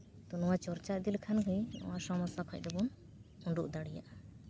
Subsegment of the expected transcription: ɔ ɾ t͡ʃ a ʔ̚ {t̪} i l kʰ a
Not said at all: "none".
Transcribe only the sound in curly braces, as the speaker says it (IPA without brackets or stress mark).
d̪